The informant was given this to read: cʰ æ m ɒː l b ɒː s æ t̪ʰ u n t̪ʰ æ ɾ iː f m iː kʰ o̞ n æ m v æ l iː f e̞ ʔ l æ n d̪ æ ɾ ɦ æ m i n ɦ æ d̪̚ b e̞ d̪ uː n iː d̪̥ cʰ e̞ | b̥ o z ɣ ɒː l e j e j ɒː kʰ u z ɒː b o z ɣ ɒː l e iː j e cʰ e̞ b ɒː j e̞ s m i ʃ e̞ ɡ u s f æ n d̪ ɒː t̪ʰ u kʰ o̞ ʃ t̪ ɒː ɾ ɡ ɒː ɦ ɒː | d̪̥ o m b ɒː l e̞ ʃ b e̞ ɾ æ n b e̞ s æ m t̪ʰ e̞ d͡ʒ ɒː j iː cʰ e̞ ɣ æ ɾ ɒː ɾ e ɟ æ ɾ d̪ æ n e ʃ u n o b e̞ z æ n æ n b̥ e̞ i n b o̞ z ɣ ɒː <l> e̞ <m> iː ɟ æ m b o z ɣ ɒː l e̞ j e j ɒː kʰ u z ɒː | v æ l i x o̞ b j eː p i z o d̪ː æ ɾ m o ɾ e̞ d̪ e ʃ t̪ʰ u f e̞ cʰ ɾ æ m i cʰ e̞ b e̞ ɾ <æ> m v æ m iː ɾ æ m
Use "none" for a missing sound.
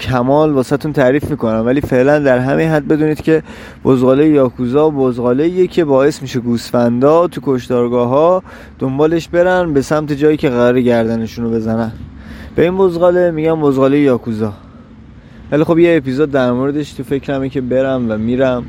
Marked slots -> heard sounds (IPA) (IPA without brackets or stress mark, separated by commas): l, m, æ